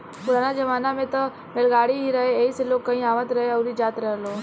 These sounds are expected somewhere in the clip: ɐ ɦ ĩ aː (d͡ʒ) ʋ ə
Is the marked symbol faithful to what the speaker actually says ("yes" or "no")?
no